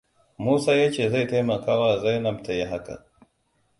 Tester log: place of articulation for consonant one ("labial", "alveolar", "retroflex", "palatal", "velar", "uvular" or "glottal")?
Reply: labial